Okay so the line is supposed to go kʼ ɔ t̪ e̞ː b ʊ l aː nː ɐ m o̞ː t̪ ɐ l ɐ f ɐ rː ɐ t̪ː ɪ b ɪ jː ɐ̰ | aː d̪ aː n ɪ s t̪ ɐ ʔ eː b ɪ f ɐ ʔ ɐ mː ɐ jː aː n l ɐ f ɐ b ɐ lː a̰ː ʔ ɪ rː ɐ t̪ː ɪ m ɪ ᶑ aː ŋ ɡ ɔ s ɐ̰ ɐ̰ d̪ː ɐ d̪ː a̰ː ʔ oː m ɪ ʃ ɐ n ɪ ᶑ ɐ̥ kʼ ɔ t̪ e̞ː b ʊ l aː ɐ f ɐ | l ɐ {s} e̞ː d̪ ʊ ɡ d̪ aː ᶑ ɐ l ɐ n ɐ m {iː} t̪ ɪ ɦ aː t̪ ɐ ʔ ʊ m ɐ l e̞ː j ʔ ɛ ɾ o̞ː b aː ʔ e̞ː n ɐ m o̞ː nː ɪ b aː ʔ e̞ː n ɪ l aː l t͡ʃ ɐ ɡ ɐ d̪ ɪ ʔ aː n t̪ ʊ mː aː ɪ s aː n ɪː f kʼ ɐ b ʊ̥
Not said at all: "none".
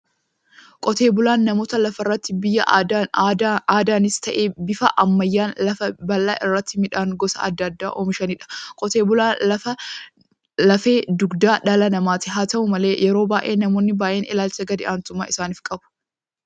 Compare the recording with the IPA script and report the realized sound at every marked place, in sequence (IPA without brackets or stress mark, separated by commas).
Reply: f, aː